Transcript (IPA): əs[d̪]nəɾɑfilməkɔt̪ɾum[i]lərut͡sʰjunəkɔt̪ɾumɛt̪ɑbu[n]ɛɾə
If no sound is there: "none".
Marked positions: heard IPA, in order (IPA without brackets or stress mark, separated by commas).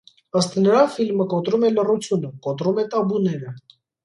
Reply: t̪, ɛ, n